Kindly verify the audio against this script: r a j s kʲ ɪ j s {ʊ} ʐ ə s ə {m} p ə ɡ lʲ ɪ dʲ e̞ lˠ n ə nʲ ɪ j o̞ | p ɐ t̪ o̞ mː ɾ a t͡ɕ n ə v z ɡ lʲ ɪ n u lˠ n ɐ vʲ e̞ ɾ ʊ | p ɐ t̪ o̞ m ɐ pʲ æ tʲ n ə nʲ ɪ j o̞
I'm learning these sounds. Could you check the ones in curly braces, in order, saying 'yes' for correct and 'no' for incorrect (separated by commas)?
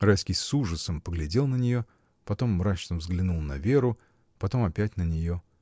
no, yes